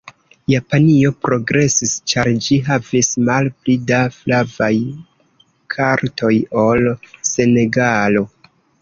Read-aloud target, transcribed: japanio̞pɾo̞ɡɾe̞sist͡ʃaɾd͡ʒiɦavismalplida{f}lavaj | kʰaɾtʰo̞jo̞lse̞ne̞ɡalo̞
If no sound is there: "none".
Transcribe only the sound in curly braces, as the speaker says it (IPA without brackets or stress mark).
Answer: f